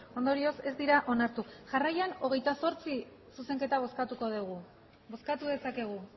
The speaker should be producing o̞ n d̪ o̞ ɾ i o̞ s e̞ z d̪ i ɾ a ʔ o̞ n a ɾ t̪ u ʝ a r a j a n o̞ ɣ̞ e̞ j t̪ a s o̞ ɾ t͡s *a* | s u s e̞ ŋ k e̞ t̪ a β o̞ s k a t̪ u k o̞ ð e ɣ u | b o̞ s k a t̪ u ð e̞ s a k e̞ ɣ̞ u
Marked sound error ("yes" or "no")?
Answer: yes